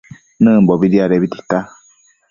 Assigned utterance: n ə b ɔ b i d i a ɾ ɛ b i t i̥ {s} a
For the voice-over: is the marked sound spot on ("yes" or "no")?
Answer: no